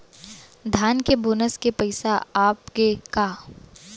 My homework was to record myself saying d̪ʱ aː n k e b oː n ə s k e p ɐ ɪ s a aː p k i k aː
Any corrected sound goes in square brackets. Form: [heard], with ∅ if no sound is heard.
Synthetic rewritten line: d̪ʱ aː n k e b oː n ə s k e p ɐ ɪ s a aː p k [e] k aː